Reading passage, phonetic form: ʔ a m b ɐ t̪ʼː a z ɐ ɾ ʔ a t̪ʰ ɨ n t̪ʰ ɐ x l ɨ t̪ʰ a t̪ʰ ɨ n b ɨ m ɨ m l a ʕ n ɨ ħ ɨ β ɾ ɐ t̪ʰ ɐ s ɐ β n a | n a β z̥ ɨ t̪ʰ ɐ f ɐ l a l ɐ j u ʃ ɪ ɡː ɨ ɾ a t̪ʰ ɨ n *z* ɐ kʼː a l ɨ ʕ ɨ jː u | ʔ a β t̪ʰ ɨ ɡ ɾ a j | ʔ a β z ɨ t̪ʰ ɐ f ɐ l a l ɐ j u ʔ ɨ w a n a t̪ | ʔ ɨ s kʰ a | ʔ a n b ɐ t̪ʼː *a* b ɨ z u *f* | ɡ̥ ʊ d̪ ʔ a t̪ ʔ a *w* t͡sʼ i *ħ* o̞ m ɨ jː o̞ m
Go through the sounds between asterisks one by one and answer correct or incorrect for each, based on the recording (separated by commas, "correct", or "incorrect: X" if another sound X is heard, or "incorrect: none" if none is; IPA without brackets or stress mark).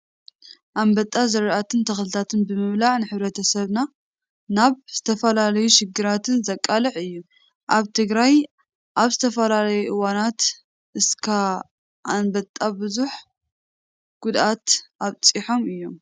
correct, correct, incorrect: ħ, incorrect: β, correct